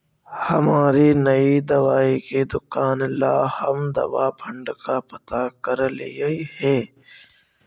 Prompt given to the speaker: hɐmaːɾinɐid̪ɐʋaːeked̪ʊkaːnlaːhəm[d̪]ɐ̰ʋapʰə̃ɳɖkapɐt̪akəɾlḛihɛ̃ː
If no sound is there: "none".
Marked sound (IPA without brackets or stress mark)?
d̪